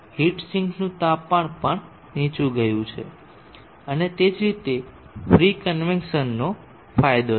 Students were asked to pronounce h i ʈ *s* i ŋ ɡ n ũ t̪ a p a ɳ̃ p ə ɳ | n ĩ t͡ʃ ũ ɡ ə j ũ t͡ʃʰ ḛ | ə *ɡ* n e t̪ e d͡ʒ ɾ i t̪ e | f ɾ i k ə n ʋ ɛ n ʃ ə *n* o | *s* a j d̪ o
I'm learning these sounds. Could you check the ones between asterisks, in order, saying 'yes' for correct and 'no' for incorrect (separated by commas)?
yes, no, no, no